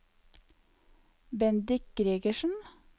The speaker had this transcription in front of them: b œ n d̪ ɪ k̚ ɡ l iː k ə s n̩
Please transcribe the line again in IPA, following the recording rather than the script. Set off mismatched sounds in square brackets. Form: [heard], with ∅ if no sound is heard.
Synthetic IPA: b [ɛ] n d̪ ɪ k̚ ɡ [ɾ] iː [ɡ] ə [ʃ] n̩